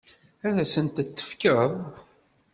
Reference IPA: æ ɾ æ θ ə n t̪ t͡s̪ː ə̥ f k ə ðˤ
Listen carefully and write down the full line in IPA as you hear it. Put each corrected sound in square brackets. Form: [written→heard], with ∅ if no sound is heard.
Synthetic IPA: æ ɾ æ [θ→s] ə n t̪ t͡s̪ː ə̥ f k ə ðˤ